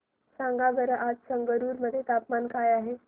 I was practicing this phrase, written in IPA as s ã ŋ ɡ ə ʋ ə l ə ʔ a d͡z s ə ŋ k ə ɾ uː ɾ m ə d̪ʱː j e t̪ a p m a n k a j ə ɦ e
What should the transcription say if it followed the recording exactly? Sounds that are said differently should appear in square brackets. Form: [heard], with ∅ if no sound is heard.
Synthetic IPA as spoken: s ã ŋ ɡ [a] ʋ ə [ɾ] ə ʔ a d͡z s ə ŋ [ɡ] ə ɾ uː ɾ m ə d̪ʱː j e t̪ a p m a n k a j [a] ɦ e